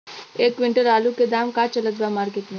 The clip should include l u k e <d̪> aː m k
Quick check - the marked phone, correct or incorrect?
correct